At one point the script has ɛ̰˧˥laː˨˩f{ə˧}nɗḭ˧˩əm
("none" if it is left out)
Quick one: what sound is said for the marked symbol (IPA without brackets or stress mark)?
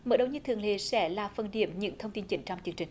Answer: ə˨˩